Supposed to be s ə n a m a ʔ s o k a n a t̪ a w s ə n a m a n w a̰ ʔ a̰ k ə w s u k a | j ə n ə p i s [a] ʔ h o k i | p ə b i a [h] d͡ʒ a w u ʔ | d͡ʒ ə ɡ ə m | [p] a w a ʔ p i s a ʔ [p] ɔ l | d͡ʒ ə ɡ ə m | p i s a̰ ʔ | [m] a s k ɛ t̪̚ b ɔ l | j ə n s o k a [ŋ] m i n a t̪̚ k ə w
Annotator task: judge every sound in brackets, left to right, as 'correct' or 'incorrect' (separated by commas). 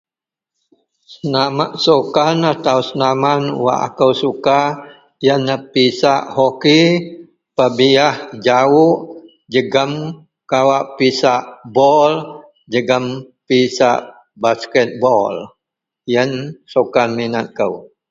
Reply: correct, correct, incorrect, incorrect, incorrect, incorrect